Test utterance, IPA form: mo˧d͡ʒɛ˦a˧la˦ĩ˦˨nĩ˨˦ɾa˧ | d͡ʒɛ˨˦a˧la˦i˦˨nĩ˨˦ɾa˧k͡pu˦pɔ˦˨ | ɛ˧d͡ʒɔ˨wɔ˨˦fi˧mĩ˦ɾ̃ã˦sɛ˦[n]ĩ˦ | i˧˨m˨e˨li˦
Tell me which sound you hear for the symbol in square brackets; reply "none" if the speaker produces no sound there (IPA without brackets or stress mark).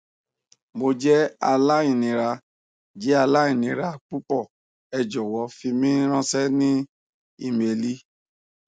n